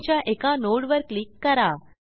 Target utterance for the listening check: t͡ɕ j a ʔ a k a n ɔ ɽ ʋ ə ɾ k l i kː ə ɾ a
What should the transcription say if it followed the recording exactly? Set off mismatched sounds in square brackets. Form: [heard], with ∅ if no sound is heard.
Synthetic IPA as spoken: t͡ɕ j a ʔ [e] k a n [o] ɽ ʋ ə ɾ k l i kː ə ɾ a